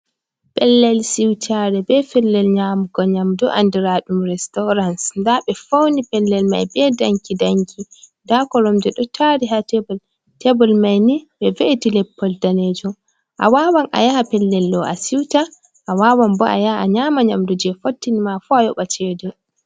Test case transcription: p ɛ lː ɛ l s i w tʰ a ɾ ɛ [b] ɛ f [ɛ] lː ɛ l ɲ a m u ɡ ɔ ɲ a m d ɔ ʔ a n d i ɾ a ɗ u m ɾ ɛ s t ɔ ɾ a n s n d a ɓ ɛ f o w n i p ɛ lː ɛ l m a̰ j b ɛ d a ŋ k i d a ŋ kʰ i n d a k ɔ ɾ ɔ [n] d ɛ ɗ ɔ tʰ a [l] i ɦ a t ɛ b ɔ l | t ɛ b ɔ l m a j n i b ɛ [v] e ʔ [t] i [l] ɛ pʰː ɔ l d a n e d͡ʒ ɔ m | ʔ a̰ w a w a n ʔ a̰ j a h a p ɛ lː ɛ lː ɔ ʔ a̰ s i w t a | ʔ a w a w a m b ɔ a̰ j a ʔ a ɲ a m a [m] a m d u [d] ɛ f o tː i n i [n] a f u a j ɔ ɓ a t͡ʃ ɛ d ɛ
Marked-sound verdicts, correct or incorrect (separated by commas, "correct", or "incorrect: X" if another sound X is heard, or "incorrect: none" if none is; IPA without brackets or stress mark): correct, correct, incorrect: m, incorrect: ɾ, correct, correct, correct, incorrect: ɲ, incorrect: d͡ʒ, incorrect: m